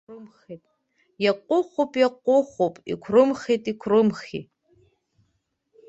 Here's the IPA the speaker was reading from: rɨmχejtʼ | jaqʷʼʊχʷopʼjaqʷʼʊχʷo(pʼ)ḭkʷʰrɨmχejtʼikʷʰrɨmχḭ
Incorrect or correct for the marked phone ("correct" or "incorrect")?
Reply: correct